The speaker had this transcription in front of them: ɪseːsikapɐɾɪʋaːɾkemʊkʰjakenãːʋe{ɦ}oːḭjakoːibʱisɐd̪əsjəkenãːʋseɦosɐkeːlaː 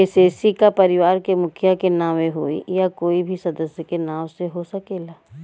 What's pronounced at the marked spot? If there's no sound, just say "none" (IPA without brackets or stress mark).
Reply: ɦ